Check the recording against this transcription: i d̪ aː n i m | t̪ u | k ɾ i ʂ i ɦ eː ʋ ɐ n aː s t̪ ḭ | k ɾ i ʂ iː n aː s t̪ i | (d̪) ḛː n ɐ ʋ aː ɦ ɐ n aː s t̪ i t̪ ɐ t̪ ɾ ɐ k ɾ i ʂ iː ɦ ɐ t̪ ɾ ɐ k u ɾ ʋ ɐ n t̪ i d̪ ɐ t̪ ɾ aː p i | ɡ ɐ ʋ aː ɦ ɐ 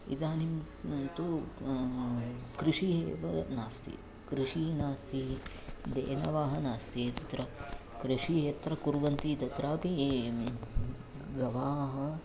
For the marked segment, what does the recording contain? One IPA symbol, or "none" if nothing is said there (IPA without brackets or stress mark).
d̪